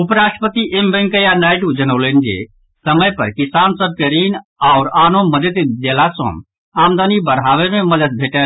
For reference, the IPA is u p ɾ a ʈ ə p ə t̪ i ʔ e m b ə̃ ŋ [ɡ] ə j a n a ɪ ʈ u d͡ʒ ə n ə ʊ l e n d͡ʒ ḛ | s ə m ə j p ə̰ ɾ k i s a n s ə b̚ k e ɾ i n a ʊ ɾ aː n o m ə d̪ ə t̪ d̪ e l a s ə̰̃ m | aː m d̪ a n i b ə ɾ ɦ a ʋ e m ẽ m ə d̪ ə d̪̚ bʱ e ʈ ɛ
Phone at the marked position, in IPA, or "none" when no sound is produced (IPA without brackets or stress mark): k